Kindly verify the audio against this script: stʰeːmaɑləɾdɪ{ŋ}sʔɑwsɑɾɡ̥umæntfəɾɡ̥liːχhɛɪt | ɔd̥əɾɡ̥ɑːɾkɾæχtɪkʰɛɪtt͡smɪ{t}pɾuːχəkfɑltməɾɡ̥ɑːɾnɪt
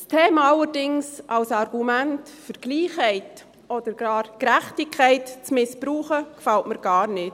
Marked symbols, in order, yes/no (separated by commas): yes, no